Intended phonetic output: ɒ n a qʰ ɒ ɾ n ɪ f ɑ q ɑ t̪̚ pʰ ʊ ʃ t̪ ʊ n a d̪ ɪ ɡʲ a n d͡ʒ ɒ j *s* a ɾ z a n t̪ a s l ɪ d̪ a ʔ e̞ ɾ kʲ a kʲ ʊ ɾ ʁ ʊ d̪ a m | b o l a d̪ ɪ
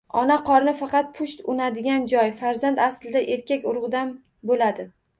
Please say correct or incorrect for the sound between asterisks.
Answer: incorrect